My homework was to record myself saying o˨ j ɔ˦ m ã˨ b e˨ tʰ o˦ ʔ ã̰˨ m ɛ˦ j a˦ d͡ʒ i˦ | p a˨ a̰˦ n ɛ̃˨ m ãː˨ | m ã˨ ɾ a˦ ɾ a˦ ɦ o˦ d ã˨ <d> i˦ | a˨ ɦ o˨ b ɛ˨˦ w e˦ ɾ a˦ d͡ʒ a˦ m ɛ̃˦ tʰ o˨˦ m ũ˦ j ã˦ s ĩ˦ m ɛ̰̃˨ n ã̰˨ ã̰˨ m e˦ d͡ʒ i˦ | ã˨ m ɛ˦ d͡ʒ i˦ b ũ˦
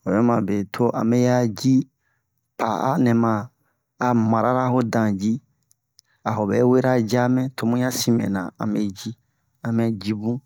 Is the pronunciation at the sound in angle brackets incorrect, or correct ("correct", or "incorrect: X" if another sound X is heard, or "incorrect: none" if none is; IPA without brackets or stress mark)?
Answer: incorrect: d͡ʒ